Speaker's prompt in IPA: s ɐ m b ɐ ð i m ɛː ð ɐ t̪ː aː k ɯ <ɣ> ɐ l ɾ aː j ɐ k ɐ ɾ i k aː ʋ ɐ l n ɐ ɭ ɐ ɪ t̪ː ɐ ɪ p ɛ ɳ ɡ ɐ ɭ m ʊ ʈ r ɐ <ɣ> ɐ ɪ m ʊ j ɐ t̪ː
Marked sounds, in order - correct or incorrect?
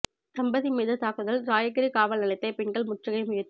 incorrect, correct

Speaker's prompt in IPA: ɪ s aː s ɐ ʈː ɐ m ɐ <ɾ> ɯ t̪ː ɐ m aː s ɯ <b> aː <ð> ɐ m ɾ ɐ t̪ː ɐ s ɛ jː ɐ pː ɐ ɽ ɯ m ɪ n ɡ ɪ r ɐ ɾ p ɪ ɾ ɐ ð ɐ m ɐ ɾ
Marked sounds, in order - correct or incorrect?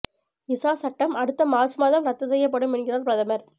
incorrect, incorrect, correct

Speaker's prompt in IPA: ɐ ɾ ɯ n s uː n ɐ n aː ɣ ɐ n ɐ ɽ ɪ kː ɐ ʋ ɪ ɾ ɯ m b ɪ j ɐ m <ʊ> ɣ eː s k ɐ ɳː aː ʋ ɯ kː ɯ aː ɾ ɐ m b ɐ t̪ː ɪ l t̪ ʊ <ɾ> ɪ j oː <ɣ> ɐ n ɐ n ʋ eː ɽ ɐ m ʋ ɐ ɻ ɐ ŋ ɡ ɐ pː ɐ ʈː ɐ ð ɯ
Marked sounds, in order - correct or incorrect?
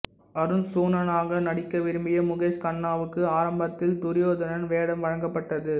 correct, correct, incorrect

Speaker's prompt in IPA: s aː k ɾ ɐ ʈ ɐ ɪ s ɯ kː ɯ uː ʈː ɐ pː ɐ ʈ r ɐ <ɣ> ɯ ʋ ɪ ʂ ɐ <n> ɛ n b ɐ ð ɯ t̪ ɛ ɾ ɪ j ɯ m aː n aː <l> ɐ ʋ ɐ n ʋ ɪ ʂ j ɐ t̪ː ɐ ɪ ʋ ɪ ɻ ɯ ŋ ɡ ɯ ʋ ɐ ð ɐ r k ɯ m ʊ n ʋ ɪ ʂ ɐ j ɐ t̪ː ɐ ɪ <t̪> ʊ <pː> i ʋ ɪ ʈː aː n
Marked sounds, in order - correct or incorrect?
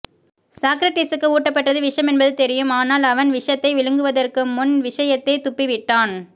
incorrect, incorrect, correct, correct, correct

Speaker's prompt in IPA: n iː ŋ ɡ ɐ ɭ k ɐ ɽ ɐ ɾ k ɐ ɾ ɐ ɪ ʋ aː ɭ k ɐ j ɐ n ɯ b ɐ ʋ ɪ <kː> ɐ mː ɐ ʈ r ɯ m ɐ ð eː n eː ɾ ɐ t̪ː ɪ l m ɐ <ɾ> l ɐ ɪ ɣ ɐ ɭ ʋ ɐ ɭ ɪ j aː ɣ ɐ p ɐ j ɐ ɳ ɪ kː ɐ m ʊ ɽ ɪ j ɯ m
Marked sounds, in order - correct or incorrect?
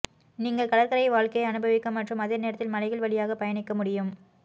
correct, incorrect

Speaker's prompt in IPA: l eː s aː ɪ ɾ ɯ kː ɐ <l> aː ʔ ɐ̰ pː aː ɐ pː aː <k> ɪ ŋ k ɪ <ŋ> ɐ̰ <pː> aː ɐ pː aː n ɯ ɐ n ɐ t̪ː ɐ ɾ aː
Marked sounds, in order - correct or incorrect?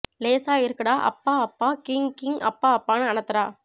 incorrect, correct, correct, correct

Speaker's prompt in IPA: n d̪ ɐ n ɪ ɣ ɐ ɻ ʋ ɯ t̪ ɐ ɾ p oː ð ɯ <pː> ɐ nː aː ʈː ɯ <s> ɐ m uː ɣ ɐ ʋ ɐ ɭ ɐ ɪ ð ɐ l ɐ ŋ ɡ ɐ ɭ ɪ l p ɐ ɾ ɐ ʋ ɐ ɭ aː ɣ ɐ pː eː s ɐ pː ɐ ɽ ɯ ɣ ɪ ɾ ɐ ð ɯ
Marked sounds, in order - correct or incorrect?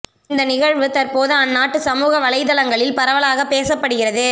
incorrect, correct

